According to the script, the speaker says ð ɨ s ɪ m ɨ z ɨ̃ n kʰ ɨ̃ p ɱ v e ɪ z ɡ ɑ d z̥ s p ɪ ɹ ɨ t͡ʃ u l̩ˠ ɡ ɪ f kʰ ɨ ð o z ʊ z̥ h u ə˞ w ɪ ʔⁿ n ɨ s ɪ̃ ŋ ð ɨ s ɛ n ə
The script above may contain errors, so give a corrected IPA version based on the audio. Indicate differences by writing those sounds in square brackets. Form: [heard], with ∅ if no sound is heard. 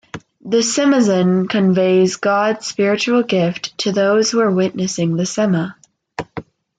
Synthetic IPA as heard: ð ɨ s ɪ m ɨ z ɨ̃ n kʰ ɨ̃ [∅] ɱ v e ɪ z ɡ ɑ d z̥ s p ɪ ɹ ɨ t͡ʃ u l̩ˠ ɡ ɪ f [tʰ] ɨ ð o [∅] ʊ z̥ h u ə˞ w ɪ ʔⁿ n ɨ s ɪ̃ ŋ ð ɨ s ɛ [m] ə